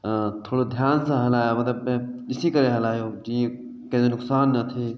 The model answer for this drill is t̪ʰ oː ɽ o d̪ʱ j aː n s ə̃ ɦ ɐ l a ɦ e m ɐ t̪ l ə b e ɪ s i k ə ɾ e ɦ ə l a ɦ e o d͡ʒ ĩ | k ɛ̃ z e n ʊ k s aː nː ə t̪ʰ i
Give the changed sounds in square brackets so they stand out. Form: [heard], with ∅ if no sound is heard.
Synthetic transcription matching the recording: t̪ʰ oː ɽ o d̪ʱ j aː n s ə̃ ɦ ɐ l a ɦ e m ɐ t̪ l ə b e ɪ s i k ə ɾ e ɦ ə l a ɦ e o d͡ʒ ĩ | k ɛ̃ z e n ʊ k s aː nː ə t̪ʰ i